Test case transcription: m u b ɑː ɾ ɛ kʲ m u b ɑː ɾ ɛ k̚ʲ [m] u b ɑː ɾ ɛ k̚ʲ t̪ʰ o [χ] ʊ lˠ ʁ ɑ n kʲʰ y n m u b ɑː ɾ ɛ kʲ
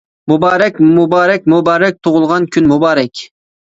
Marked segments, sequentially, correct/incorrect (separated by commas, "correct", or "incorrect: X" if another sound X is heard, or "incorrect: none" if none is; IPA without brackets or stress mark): correct, incorrect: ʁ